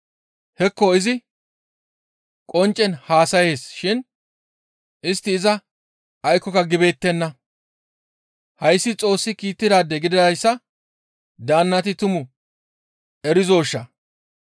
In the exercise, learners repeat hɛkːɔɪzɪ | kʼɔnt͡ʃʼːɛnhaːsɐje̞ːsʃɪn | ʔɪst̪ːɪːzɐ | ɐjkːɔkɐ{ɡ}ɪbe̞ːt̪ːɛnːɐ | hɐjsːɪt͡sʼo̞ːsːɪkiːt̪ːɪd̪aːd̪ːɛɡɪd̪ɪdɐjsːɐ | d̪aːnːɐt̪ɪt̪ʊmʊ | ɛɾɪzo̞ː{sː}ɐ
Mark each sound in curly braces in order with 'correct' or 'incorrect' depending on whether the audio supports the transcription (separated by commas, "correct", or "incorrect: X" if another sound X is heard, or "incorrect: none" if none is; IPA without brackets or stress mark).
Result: correct, incorrect: ʃː